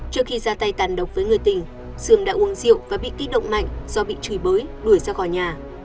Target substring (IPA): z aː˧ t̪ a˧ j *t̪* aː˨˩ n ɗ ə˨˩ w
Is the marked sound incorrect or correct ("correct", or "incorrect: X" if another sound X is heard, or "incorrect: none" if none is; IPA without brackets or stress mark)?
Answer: correct